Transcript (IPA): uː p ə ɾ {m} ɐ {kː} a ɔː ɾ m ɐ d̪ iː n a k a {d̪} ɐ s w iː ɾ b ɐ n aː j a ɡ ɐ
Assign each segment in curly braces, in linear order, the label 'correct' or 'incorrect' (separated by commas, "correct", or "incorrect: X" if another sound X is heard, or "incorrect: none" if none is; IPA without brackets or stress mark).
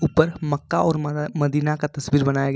correct, correct, incorrect: t̪